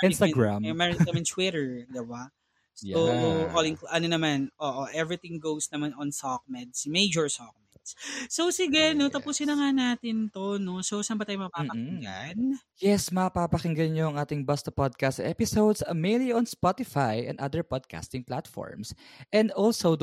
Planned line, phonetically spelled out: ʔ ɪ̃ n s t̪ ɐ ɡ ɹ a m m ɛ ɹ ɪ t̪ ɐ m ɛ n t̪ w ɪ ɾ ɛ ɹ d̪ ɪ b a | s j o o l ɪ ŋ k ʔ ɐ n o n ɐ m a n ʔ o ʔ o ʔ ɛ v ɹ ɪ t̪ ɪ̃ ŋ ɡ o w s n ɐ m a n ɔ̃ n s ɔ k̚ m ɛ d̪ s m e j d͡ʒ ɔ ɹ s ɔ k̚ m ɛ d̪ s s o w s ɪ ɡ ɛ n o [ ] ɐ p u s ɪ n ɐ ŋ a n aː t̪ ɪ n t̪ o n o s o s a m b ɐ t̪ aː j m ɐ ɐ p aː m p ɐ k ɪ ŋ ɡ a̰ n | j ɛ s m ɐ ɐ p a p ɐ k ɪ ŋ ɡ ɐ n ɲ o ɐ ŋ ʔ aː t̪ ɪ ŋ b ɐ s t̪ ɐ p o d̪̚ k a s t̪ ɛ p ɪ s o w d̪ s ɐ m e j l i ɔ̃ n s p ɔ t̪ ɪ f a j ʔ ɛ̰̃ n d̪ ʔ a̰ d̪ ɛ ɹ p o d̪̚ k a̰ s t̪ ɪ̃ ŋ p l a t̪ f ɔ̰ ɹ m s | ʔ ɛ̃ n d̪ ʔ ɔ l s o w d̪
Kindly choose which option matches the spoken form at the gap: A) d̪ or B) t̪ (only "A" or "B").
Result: B